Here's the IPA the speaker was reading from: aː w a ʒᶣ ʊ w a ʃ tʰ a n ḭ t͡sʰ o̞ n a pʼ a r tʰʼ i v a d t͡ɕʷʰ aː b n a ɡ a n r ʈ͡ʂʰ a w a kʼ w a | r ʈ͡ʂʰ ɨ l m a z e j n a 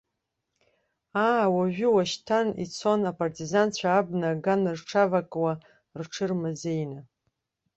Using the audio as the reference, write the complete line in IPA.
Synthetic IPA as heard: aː w a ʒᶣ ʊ w a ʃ tʰ a n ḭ t͡sʰ o̞ n a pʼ a r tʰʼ i z a n t͡ɕʷʰ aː b n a ɡ a n r ʈ͡ʂʰ a v a kʼ w a | r ʈ͡ʂʰ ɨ r m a z e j n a